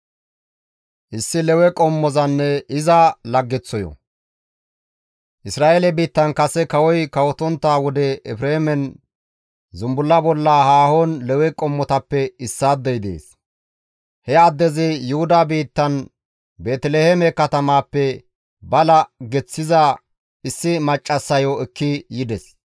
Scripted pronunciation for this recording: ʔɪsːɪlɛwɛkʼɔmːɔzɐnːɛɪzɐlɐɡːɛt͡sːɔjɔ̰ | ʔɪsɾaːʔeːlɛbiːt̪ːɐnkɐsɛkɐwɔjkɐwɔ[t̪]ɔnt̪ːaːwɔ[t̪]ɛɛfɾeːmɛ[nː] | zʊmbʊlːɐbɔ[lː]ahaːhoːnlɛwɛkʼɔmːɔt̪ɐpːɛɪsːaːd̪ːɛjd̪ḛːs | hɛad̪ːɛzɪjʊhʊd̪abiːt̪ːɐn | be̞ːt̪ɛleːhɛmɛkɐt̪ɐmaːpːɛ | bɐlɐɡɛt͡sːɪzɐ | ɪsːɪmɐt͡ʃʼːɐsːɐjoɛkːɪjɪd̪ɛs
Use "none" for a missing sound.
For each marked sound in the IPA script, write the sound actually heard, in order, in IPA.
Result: t̪, d̪, n, lː

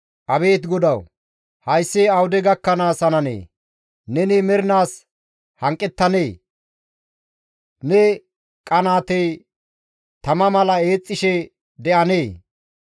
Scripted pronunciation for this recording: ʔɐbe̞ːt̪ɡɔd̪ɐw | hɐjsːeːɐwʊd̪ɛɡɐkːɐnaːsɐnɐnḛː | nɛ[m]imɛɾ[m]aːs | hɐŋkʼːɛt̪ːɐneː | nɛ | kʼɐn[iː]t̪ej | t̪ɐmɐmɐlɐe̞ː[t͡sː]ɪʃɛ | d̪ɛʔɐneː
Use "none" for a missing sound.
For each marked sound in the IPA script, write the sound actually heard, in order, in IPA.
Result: n, n, aː, t͡sʼː

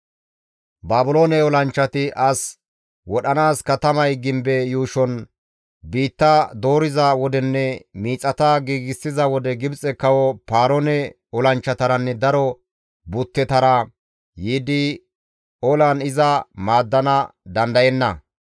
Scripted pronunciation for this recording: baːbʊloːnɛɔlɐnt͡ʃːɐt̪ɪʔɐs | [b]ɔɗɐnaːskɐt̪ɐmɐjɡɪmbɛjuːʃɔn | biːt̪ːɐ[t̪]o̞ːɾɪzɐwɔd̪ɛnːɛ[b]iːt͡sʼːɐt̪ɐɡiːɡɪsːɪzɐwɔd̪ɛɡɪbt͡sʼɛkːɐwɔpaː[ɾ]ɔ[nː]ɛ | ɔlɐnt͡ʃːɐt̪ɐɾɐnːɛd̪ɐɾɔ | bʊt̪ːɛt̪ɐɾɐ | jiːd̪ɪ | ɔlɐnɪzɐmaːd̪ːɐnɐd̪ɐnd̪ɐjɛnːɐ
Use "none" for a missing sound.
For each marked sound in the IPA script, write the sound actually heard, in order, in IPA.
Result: w, d̪, m, ɾ, n

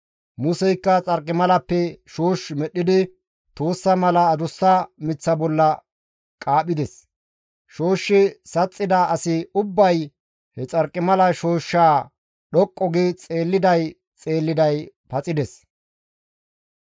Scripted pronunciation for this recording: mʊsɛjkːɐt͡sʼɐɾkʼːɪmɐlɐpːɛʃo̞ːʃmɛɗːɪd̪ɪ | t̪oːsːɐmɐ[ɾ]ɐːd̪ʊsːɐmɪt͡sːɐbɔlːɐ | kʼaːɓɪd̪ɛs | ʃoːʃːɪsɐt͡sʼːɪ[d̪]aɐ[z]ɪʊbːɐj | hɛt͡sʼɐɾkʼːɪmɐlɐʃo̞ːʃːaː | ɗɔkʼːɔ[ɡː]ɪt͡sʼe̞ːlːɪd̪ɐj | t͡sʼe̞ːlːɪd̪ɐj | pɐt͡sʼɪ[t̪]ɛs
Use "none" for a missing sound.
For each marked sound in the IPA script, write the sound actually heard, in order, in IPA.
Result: l, d̪, s, ɡ, d̪

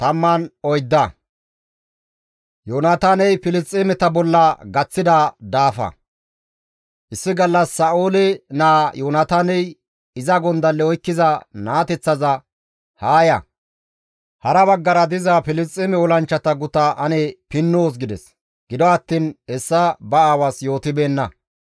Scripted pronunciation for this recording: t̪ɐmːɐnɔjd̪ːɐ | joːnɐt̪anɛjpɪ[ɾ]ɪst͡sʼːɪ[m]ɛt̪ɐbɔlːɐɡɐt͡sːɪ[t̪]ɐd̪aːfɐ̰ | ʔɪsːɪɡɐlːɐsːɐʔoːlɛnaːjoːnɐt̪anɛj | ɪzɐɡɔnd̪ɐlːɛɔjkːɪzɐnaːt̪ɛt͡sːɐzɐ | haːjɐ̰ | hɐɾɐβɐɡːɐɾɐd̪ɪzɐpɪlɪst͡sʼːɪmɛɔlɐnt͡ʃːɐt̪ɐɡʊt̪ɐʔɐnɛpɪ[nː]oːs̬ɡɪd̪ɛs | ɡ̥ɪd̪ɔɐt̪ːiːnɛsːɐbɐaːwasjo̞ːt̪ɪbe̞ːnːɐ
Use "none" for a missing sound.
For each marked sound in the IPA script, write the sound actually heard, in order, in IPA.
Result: l, m, d̪, nː

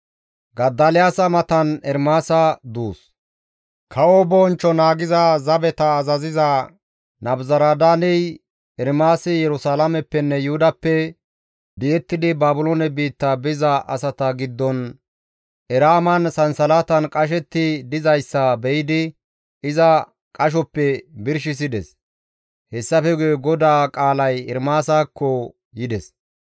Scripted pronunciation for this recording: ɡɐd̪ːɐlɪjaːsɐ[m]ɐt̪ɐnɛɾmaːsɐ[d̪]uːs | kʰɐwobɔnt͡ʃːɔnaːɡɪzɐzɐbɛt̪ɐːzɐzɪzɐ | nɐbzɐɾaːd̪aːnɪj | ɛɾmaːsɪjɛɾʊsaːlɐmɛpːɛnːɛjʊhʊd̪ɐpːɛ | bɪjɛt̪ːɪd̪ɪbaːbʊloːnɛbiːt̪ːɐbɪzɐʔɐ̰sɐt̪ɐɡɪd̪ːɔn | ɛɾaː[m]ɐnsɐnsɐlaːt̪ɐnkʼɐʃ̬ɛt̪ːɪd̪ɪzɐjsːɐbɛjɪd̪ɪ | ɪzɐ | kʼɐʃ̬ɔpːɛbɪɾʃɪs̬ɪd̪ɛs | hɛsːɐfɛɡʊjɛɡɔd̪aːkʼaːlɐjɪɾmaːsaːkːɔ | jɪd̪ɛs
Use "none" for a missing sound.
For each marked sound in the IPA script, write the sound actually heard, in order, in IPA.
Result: m, d̪, m

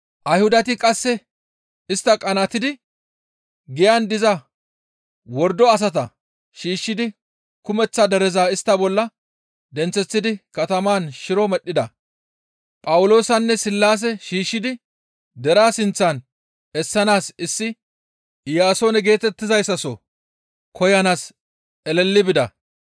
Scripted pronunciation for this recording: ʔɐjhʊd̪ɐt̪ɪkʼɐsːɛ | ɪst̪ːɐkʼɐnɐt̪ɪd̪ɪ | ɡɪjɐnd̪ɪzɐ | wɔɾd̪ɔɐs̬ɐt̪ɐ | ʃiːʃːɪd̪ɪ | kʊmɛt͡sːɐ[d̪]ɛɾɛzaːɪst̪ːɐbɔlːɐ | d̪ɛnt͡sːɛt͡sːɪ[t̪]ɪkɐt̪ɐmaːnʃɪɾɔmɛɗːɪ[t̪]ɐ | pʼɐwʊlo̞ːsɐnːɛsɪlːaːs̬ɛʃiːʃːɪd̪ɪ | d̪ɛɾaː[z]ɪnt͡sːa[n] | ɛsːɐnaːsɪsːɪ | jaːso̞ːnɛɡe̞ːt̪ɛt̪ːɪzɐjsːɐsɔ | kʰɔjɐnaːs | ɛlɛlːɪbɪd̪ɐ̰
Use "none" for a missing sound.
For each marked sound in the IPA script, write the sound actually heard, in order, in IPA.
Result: d̪, d̪, d̪, s, n

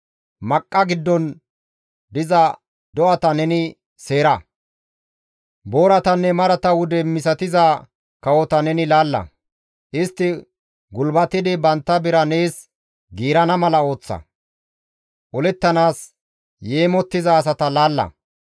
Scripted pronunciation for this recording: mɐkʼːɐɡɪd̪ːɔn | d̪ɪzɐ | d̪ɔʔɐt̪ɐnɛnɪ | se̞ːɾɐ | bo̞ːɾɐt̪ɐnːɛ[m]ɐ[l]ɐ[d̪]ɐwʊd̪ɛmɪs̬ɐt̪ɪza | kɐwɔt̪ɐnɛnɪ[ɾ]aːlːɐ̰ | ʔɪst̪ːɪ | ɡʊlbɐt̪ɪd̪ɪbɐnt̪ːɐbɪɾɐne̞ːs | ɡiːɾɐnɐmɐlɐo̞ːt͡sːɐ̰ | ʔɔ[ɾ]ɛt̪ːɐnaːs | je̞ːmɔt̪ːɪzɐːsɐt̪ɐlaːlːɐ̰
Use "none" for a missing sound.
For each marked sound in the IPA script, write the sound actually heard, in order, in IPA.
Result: m, ɾ, t̪, l, l

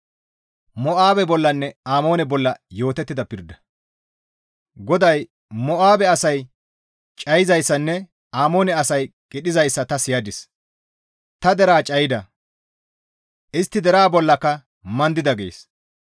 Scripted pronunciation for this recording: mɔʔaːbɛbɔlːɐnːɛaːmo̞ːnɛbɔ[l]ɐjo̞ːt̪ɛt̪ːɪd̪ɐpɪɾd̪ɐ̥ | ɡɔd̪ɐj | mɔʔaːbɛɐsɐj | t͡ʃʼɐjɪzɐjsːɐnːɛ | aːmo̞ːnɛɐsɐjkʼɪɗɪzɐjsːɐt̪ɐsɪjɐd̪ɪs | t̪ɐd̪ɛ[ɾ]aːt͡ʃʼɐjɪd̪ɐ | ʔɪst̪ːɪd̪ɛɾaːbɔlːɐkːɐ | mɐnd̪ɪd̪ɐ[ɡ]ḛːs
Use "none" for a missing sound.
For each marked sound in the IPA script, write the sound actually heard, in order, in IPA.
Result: lː, ɾ, ɡ

